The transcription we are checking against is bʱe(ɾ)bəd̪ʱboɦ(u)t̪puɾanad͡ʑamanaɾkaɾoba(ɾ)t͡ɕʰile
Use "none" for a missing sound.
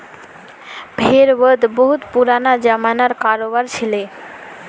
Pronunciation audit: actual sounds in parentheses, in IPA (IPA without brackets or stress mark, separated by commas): ɾ, u, ɾ